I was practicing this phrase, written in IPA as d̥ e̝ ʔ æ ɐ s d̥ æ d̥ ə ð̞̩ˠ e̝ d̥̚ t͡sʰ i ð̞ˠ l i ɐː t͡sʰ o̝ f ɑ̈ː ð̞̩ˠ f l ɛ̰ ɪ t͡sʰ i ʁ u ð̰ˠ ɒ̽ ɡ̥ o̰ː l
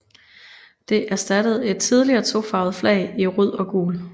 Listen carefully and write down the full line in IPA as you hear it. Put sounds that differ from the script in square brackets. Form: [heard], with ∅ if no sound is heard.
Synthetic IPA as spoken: d̥ e̝ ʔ æ ɐ s d̥ æ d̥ ə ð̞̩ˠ e̝ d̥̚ t͡sʰ i ð̞ˠ l i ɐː t͡sʰ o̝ f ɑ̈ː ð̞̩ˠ f l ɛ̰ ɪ [∅] i ʁ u ð̰ˠ ɒ̽ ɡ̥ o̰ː l